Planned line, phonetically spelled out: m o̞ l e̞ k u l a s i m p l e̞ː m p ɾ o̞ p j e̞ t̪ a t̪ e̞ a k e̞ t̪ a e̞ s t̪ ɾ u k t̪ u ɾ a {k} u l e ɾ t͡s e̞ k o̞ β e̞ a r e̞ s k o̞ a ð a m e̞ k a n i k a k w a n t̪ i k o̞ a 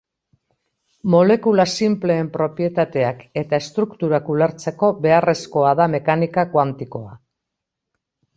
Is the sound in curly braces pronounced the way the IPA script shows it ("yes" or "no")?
yes